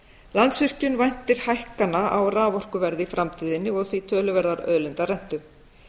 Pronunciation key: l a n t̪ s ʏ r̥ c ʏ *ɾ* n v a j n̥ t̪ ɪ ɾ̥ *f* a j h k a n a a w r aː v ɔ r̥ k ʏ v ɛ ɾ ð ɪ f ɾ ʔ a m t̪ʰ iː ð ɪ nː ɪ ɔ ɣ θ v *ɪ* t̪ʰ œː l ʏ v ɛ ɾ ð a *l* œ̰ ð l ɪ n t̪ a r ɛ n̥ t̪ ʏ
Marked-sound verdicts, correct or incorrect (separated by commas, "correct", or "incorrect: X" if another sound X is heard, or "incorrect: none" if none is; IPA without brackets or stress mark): incorrect: none, incorrect: h, incorrect: i, incorrect: ɾ